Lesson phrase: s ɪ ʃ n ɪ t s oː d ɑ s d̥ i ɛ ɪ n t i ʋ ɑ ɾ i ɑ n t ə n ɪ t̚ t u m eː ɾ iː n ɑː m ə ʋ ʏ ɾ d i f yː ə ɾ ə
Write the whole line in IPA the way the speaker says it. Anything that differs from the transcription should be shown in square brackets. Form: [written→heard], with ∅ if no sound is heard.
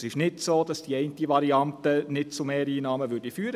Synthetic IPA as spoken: s ɪ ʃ n ɪ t s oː d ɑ s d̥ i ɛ ɪ n t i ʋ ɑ ɾ i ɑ n t ə n ɪ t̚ [t→t͡s] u m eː ɾ iː n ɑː m ə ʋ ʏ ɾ d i f yː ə ɾ ə

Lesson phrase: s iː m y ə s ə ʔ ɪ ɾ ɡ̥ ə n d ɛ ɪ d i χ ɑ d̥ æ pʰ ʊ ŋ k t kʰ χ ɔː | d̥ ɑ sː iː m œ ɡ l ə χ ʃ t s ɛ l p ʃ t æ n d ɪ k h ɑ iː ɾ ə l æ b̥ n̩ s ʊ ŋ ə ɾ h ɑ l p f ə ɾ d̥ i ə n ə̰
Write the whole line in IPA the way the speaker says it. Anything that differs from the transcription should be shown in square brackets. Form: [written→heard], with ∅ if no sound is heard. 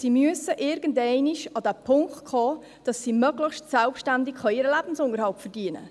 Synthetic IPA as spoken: s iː m y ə s ə ʔ ɪ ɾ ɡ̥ ə n d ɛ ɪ [d→n] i [χ→ʃ] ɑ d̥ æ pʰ ʊ ŋ k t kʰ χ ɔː | d̥ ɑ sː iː m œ ɡ l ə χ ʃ t s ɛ l p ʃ t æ n d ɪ k [h→χ] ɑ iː ɾ ə l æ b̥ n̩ s ʊ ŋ ə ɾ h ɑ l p f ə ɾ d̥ i ə n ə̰

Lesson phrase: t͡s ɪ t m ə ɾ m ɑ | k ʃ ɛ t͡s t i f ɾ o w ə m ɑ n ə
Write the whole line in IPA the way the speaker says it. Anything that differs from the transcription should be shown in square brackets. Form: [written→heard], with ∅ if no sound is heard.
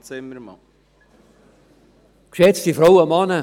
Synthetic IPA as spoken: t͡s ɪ [t→∅] m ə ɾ m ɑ | k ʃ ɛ t͡s t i f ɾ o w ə m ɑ n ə

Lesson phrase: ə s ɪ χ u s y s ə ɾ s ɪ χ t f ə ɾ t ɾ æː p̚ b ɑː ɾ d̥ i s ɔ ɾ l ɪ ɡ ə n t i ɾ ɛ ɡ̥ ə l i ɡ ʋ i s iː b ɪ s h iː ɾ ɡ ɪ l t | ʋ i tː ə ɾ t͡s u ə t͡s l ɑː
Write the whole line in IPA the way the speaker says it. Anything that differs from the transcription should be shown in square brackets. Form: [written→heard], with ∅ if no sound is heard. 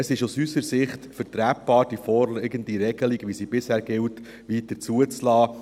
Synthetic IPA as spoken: ə s ɪ [χ→ʃ] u s y s ə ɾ s ɪ χ t f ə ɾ t ɾ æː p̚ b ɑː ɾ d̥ i [s→f] ɔ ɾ l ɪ ɡ ə n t i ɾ ɛ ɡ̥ ə l i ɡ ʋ i s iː b ɪ s h [iː→æː] ɾ ɡ ɪ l t | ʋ i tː ə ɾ t͡s u ə t͡s l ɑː

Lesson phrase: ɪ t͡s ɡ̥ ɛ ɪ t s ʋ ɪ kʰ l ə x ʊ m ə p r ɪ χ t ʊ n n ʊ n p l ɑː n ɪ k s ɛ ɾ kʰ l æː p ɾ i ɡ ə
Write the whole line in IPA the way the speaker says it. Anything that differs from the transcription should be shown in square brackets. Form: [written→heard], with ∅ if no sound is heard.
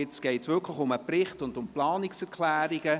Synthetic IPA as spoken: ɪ t͡s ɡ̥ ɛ ɪ t s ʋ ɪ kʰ l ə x ʊ m ə p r ɪ χ t ʊ n [n→d] ʊ [n→m] p l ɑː n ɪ k s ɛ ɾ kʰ l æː [p→∅] ɾ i ɡ ə

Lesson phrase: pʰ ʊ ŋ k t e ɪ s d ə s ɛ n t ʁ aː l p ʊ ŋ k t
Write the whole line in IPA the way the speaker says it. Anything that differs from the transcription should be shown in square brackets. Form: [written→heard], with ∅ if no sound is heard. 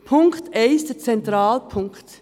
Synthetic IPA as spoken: pʰ ʊ ŋ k t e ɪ s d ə [s→t͡s] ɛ n t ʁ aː l [p→pʰ] ʊ ŋ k t

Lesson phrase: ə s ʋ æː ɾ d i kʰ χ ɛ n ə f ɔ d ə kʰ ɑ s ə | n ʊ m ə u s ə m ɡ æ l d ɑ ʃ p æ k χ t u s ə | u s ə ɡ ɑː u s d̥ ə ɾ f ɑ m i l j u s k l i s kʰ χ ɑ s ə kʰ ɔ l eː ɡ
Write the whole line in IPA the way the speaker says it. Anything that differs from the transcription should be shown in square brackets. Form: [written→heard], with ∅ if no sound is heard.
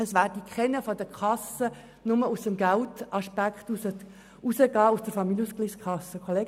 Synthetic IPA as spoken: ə s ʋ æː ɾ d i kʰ χ ɛ n ə f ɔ d ə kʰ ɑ s ə | n ʊ m ə u s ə m ɡ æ l [d→t] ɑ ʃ p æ k χ t u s ə | u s ə ɡ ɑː u s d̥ ə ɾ f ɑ m i l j u s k l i s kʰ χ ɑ s ə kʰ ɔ l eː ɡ

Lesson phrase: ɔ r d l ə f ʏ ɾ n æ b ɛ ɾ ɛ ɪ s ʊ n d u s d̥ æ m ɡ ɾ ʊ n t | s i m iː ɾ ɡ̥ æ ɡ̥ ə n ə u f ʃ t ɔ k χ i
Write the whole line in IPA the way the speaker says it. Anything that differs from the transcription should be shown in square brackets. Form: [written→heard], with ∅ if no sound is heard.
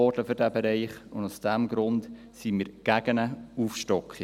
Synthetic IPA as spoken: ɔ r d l ə f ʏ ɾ [n→d] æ b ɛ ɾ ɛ ɪ [s→χ] ʊ n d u s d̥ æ m ɡ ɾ ʊ n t | s i m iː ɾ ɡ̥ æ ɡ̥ ə n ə u f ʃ t ɔ k χ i

